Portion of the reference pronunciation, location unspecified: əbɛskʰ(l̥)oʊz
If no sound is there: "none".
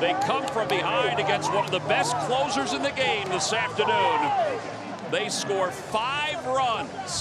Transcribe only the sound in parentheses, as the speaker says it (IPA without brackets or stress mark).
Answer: l̥